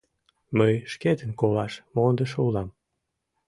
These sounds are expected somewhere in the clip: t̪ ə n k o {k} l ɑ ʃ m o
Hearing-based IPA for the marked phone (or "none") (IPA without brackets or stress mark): none